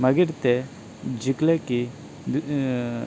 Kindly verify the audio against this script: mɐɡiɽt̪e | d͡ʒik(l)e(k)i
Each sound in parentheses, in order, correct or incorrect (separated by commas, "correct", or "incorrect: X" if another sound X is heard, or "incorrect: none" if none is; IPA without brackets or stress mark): correct, correct